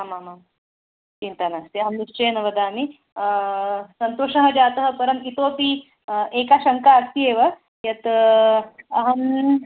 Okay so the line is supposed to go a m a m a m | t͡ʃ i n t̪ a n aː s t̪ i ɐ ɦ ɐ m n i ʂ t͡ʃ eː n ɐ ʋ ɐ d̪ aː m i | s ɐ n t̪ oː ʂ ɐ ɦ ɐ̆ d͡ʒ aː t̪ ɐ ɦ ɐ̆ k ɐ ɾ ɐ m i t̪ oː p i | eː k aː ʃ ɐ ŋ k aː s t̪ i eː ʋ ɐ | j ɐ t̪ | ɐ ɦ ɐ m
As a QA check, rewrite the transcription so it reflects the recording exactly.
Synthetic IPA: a m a m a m | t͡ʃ i n t̪ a n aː s t̪ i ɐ ɦ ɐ m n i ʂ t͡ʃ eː n ɐ ʋ ɐ d̪ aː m i | s ɐ n t̪ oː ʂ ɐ ɦ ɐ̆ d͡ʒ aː t̪ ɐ ɦ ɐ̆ p ɐ ɾ ɐ m i t̪ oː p i | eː k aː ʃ ɐ ŋ k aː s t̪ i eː ʋ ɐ | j ɐ t̪ | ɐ ɦ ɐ m

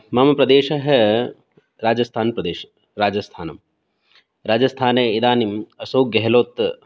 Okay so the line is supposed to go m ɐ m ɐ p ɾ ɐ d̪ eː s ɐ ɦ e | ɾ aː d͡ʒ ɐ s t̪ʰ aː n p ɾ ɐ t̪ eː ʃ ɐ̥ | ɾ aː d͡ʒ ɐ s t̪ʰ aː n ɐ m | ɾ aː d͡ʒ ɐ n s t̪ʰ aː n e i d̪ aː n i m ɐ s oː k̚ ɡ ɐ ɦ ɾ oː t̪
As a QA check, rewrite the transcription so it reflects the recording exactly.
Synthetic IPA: m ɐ m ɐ p ɾ ɐ d̪ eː ʃ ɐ ɦ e | ɾ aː d͡ʒ ɐ s t̪ʰ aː n p ɾ ɐ d̪ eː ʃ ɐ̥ | ɾ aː d͡ʒ ɐ s t̪ʰ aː n ɐ m | ɾ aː d͡ʒ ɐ s t̪ʰ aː n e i d̪ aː n i m ɐ s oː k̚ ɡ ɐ ɦ l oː t̪

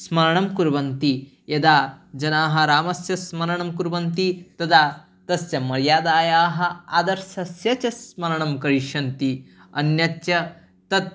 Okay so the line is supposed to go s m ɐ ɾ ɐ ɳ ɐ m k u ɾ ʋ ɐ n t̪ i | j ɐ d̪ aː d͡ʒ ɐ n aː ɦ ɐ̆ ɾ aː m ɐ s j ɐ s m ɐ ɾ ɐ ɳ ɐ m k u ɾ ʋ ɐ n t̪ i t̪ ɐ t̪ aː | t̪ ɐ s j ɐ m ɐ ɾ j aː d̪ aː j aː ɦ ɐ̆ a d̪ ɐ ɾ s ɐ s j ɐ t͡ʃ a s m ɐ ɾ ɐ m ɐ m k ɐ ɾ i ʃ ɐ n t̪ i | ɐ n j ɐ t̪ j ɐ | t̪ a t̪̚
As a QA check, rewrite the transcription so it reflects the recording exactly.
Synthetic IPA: s m ɐ ɾ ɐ ɳ ɐ m k u ɾ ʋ ɐ n t̪ i | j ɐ d̪ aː d͡ʒ ɐ n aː ɦ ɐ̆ ɾ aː m ɐ s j ɐ s m ɐ ɾ ɐ ɳ ɐ m k u ɾ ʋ ɐ n t̪ i t̪ ɐ d̪ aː | t̪ ɐ s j ɐ m ɐ ɾ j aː d̪ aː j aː ɦ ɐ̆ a d̪ ɐ ɾ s ɐ s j ɐ t͡ʃ ɐ s m ɐ ɾ ɐ ɳ ɐ m k ɐ ɾ i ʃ ɐ n t̪ i | ɐ n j ɐ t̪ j ɐ | t̪ ɐ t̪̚

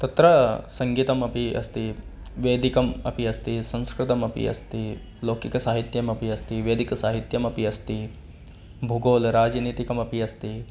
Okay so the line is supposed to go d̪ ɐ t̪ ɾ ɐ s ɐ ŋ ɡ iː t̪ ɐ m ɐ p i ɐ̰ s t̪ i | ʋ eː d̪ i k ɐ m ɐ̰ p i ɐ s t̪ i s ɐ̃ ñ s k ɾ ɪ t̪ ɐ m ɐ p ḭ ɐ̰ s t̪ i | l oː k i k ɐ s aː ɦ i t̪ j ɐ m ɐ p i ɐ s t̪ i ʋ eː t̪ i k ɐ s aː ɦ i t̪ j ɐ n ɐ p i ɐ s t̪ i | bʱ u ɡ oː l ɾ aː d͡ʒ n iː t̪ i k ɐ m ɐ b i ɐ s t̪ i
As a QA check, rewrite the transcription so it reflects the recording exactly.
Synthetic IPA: t̪ ɐ t̪ ɾ ɐ s ɐ ŋ ɡ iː t̪ ɐ m ɐ p i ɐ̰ s t̪ i | ʋ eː d̪ i k ɐ m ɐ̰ p i ɐ s t̪ i s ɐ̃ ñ s k ɾ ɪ t̪ ɐ m ɐ p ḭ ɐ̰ s t̪ i | l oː k i k ɐ s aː ɦ i t̪ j ɐ m ɐ p i ɐ s t̪ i ʋ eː d̪ i k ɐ s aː ɦ i t̪ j ɐ m ɐ p i ɐ s t̪ i | bʱ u ɡ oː l ɾ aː d͡ʒ n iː t̪ i k ɐ m ɐ p i ɐ s t̪ i

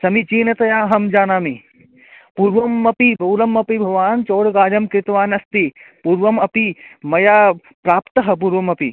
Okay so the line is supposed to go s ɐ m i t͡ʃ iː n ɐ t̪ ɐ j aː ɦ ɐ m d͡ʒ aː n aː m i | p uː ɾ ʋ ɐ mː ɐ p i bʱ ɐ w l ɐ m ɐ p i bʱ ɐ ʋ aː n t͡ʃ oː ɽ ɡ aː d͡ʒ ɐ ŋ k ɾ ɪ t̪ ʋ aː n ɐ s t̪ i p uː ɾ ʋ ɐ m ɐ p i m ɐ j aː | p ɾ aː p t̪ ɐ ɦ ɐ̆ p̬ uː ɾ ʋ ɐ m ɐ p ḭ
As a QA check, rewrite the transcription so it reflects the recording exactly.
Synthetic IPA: s ɐ m i t͡ʃ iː n ɐ t̪ ɐ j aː ɦ ɐ m d͡ʒ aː n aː m i | p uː ɾ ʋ ɐ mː ɐ p i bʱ ɐ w l ɐ m ɐ p i bʱ ɐ ʋ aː n t͡ʃ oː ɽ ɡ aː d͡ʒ ɐ m k ɾ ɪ t̪ ʋ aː n ɐ s t̪ i p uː ɾ ʋ ɐ m ɐ p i m ɐ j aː | p ɾ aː p t̪ ɐ ɦ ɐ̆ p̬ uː ɾ ʋ ɐ m ɐ p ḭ

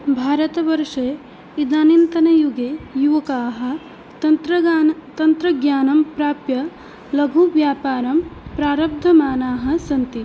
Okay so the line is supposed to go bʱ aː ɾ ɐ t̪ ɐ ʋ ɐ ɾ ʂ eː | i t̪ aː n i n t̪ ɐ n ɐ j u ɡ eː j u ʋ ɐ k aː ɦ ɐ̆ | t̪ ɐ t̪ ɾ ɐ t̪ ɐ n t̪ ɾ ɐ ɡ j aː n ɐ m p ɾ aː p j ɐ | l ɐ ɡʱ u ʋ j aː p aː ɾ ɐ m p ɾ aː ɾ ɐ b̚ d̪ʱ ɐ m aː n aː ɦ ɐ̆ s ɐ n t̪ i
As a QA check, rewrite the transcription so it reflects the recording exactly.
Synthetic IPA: bʱ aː ɾ ɐ t̪ ɐ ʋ ɐ ɾ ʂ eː | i d̪ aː n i n t̪ ɐ n ɐ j u ɡ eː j u ʋ ɐ k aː ɦ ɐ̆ | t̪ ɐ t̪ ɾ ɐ t̪ ɐ n t̪ ɾ ɐ ɡ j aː n ɐ m p ɾ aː p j ɐ | l ɐ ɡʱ u ʋ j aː p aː ɾ ɐ m p ɾ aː ɾ ɐ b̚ d̪ʱ ɐ m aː n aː ɦ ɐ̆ s ɐ n t̪ i

